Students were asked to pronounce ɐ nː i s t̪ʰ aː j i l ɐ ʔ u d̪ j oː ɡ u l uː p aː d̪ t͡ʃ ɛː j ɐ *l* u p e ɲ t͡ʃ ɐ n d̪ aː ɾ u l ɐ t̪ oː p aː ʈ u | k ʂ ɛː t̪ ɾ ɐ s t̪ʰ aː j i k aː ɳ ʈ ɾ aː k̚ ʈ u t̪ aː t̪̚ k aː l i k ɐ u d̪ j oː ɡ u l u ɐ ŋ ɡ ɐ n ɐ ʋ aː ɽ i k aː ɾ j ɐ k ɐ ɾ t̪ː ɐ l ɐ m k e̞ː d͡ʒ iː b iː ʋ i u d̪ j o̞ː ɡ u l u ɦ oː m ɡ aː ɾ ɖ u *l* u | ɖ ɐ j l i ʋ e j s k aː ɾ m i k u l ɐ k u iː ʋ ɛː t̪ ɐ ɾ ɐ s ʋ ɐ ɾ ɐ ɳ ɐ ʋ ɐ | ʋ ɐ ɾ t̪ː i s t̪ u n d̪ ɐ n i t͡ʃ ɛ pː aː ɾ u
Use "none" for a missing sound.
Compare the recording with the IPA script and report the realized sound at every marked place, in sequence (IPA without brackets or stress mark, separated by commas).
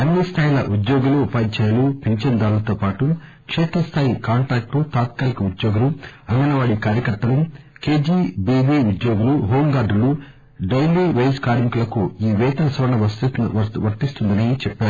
l, l